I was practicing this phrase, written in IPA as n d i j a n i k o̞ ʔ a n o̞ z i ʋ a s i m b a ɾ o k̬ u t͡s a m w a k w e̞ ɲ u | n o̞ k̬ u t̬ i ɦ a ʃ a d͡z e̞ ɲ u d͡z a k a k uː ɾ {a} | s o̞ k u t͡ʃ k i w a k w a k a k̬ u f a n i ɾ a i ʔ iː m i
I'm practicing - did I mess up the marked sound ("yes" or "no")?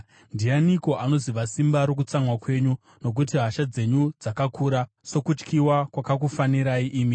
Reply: no